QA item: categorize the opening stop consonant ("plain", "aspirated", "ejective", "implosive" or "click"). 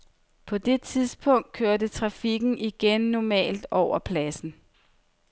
aspirated